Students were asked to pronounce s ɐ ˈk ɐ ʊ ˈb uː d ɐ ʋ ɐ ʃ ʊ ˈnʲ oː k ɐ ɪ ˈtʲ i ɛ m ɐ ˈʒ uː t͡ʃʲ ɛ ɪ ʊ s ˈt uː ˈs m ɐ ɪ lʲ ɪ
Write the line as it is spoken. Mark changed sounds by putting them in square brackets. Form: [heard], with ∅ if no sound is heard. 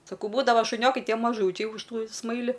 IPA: s ɐ ˈk ɐ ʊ ˈb uː d ɐ ʋ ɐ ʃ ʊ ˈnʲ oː k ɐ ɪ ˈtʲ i ɛ m ɐ ˈʒ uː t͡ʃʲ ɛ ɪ ʊ [ʃ] ˈt uː ˈs m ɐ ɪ lʲ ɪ